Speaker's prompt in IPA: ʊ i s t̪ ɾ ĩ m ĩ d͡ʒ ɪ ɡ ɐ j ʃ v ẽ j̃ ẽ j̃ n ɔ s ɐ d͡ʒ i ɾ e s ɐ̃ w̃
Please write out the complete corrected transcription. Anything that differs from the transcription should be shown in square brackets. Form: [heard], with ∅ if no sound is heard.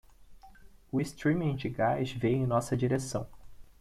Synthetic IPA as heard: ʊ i s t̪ ɾ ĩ m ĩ d͡ʒ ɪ ɡ [a] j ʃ v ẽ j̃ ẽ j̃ n ɔ s ɐ d͡ʒ i ɾ e s ɐ̃ w̃